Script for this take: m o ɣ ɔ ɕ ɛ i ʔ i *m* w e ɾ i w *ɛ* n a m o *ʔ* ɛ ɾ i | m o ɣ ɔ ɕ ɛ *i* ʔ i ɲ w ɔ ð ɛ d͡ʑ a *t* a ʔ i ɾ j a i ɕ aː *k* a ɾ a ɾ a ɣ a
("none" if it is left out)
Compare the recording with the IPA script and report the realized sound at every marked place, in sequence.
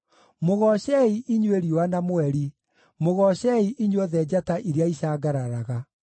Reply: ɲ, a, none, i, t, ɡ

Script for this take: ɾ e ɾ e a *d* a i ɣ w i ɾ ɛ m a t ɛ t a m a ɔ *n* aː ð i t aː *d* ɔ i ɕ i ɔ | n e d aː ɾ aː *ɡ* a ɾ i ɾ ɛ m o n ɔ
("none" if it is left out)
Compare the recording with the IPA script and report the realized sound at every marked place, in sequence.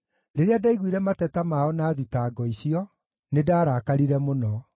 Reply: d, n, ɡ, k

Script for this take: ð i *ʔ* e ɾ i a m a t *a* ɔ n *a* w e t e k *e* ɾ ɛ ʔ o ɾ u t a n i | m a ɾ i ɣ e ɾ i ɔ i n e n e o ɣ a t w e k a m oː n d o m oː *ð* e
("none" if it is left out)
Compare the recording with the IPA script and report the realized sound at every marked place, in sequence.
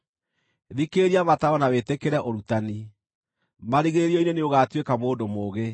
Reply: k, a, a, e, ɣ

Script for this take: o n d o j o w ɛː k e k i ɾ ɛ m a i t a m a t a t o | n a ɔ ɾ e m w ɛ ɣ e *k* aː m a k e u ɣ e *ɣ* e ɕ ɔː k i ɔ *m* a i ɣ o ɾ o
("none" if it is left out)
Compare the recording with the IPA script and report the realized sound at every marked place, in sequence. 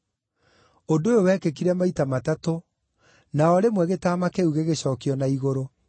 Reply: t, ɣ, n

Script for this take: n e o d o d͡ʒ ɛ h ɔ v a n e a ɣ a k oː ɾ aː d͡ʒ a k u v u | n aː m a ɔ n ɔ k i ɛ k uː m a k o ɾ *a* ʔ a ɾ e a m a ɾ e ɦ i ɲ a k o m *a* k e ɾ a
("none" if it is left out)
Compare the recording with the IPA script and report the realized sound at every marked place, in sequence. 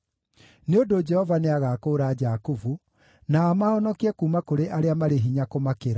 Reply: e, a

